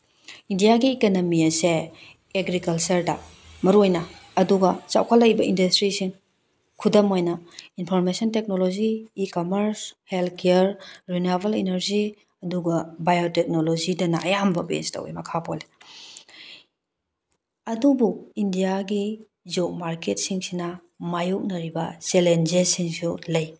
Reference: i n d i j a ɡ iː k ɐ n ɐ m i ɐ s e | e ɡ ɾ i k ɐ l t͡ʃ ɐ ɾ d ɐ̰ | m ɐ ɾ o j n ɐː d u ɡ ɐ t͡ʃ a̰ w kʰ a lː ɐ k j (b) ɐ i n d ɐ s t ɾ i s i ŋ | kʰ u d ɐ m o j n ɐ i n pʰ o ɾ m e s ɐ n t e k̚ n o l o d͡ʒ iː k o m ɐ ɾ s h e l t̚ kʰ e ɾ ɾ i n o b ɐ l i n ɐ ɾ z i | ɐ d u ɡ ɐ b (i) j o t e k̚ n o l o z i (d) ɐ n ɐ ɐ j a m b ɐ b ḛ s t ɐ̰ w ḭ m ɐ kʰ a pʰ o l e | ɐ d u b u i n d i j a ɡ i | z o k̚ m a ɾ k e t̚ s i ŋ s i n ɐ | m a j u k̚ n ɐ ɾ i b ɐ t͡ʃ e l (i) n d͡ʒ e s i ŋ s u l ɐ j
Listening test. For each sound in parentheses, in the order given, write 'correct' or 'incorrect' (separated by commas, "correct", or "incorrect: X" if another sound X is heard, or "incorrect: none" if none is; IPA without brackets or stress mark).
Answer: correct, incorrect: a, correct, incorrect: e